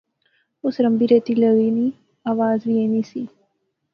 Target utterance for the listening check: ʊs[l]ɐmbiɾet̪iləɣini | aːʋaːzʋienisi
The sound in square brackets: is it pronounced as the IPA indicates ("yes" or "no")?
no